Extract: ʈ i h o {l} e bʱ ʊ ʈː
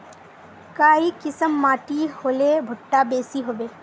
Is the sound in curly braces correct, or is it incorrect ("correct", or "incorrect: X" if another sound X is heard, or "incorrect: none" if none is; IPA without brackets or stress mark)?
correct